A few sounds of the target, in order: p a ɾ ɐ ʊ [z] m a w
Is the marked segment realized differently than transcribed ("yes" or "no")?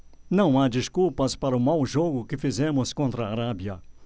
yes